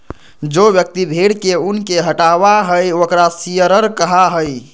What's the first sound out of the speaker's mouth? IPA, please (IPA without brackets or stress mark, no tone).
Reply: d͡ʒ